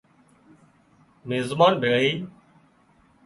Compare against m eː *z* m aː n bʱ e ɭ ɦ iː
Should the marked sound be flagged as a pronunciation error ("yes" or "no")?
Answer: no